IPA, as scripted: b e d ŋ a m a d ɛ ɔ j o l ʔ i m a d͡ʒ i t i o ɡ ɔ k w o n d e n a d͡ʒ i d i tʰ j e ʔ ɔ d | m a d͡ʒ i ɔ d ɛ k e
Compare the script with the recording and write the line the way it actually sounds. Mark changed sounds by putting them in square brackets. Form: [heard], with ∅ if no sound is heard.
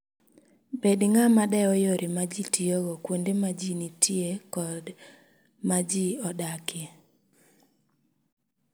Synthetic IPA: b e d ŋ a m a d ɛ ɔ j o [ɾ] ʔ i m a d͡ʒ i t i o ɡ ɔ k w o n d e [m] a d͡ʒ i [n] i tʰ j e [k] ɔ d | m a d͡ʒ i ɔ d [a] k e